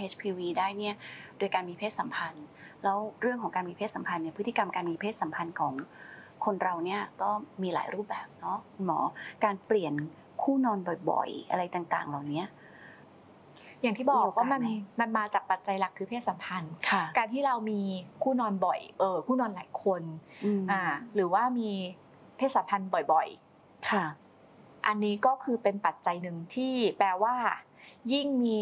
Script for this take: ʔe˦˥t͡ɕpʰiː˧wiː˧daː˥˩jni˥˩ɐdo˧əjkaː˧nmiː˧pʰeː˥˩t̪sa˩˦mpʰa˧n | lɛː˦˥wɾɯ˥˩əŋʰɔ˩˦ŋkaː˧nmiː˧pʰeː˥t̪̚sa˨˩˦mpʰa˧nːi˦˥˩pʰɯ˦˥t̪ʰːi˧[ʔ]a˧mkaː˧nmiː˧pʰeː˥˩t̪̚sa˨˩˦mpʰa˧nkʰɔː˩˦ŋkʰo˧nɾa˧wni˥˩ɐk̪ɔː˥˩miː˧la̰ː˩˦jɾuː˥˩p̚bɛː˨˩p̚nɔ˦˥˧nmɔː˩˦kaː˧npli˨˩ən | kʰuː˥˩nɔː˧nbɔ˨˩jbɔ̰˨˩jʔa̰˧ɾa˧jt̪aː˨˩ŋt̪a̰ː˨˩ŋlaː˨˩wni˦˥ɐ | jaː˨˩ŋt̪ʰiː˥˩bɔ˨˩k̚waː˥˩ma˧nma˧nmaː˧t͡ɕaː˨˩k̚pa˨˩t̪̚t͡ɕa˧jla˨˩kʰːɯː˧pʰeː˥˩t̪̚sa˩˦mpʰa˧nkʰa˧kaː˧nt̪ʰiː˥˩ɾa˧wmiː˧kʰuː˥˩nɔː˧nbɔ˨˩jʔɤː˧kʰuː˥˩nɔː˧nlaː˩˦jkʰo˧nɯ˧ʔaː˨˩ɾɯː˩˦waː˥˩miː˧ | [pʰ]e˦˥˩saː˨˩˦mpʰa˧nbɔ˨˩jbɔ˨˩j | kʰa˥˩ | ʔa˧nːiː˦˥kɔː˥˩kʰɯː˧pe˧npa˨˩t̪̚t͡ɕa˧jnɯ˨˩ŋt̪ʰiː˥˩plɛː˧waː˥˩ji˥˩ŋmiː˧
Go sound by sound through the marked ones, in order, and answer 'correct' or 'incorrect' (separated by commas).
incorrect, correct